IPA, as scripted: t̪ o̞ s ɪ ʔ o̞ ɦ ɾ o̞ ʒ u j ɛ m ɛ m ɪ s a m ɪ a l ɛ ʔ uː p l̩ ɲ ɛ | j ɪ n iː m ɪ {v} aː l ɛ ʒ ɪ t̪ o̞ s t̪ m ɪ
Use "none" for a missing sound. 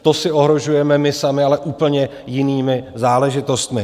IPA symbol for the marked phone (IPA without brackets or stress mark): z